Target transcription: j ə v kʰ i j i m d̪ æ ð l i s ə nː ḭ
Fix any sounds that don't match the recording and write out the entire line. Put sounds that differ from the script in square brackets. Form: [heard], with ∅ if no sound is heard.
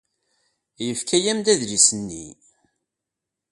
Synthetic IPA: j ə [f] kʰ [æ] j [æ] m d̪ æ ð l i s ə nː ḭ